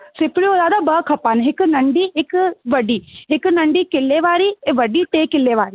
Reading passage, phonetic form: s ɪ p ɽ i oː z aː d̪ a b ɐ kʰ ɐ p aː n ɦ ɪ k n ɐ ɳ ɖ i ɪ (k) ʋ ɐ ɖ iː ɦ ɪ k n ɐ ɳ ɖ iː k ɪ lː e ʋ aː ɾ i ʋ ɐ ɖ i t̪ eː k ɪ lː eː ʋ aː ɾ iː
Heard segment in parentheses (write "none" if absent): k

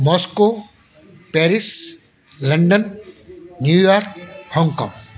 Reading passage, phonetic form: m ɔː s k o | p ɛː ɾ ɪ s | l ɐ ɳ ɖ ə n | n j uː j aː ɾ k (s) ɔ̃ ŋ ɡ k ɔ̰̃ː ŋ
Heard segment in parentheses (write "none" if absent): h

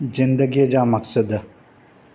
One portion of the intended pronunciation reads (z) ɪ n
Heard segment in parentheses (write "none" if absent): z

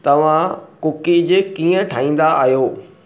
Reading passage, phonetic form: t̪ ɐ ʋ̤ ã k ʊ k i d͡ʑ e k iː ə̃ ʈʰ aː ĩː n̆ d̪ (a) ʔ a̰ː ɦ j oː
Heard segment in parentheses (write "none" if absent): a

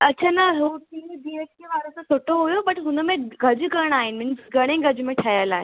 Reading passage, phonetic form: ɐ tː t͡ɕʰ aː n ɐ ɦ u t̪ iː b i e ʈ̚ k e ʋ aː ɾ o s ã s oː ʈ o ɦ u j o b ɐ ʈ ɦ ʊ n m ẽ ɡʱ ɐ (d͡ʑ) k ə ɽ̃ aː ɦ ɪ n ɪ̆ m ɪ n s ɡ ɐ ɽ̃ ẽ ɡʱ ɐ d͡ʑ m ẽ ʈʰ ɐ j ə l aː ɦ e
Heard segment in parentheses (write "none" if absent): d͡ʑ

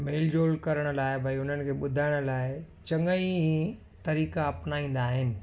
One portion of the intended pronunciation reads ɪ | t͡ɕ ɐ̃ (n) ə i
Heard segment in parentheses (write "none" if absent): ŋ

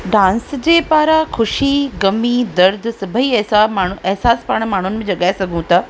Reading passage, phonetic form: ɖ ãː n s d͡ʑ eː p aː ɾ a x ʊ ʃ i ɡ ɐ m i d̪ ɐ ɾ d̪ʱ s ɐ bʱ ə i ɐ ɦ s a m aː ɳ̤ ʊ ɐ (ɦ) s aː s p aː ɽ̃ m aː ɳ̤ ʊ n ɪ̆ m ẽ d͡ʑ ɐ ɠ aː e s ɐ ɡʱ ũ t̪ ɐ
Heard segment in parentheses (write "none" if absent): ɦ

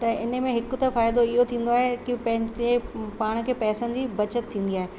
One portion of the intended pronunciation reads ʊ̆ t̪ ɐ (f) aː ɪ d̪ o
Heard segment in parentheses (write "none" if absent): f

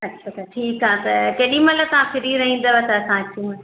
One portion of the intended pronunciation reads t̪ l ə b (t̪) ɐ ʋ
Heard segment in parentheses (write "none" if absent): t̪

